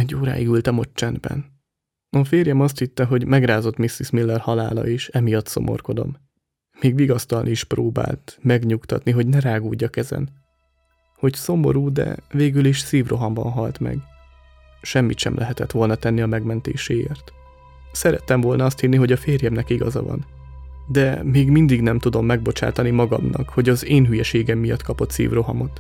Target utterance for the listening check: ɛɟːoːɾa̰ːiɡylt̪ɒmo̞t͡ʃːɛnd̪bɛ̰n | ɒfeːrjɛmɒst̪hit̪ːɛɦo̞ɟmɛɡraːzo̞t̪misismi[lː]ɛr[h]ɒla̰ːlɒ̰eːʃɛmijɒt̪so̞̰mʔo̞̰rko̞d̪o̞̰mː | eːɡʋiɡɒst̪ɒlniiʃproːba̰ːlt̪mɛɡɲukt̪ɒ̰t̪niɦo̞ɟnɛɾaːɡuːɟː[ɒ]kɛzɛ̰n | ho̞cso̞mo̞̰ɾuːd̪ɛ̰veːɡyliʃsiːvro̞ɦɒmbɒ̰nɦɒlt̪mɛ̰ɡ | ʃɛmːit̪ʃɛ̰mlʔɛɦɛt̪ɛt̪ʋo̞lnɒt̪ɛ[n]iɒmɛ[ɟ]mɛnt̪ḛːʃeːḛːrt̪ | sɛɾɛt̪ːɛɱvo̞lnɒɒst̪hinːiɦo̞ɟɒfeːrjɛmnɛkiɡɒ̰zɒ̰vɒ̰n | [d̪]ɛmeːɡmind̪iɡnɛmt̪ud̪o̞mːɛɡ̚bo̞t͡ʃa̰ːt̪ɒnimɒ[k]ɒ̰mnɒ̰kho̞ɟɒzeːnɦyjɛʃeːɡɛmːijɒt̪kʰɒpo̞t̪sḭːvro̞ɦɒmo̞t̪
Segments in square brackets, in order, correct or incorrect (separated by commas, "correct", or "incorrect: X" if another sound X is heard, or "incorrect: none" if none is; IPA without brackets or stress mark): correct, correct, correct, incorrect: nː, incorrect: ɡ, correct, incorrect: ɡ